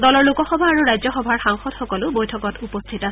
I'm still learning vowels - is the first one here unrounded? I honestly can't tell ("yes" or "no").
no